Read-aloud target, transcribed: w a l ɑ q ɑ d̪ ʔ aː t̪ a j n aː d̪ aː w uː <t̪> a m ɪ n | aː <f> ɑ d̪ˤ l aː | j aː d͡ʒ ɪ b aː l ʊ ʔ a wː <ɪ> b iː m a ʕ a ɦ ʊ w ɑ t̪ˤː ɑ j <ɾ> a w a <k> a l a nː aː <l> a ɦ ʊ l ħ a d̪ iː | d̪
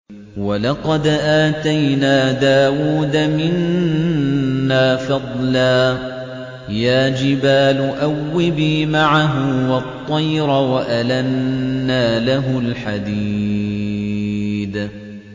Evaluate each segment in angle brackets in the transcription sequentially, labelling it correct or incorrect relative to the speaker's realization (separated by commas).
incorrect, correct, correct, correct, incorrect, correct